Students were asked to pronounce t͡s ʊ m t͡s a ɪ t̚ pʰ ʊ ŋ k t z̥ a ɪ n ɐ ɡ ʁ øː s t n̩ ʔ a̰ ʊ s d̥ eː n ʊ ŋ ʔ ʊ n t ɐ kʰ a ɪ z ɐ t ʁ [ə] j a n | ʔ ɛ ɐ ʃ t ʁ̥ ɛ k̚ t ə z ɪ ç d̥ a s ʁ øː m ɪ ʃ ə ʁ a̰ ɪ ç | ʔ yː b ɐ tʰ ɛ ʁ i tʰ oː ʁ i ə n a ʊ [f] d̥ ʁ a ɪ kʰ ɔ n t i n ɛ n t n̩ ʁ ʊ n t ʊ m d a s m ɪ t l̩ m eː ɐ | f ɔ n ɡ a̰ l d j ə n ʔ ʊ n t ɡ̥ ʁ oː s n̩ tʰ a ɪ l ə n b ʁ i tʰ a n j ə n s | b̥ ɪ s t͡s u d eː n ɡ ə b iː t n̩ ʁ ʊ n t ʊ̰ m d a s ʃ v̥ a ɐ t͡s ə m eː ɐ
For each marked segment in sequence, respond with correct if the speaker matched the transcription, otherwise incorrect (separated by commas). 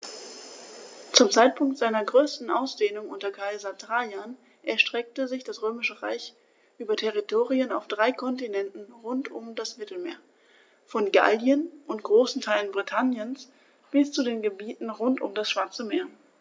incorrect, correct